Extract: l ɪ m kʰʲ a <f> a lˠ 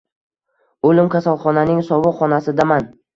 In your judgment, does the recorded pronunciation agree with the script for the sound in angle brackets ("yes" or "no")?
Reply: no